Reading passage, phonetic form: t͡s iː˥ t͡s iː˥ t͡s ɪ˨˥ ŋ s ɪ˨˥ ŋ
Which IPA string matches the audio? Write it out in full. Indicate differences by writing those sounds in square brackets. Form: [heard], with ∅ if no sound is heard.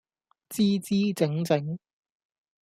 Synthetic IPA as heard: t͡s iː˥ t͡s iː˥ t͡s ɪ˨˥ ŋ [t͡s] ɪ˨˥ ŋ